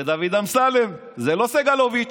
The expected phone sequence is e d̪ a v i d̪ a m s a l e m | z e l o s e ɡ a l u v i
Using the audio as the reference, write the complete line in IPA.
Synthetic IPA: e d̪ a v i d̪ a m s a l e m | z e l o s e ɡ a l o v i